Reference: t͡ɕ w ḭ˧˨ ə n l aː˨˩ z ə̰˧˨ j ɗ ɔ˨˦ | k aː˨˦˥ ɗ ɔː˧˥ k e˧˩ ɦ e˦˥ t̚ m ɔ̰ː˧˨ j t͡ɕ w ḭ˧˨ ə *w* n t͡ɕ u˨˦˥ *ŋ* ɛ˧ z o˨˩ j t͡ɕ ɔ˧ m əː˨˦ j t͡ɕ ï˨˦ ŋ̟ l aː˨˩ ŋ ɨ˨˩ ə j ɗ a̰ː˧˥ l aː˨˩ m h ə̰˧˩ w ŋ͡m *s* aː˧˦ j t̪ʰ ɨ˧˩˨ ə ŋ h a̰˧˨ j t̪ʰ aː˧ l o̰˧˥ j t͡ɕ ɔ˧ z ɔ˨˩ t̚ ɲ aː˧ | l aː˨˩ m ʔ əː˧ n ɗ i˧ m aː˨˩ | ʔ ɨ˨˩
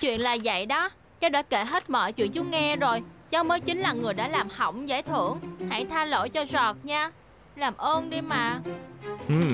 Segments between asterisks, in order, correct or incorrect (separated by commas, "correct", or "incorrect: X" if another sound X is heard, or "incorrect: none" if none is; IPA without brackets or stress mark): incorrect: none, correct, incorrect: z